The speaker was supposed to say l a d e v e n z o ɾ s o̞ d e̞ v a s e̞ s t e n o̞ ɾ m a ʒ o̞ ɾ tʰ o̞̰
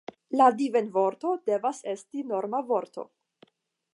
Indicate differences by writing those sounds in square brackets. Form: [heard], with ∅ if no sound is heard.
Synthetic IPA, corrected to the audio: l a d [i] v e n [v] o ɾ [t] o̞ d e̞ v a s e̞ s t [i] n o̞ ɾ m a [v] o̞ ɾ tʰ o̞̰